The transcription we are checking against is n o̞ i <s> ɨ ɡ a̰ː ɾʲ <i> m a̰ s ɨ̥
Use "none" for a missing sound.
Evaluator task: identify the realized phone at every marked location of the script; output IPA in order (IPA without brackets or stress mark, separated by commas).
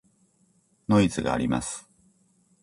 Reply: t͡s, i